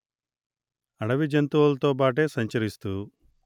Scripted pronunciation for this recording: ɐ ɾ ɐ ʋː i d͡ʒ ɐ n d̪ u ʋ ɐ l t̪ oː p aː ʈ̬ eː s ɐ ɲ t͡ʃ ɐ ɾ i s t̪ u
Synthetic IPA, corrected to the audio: ɐ ɽ ɐ ʋ i d͡ʒ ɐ n t̪ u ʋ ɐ l t̪ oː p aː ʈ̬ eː s ɐ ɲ t͡ʃ ɐ ɾ i s t̪ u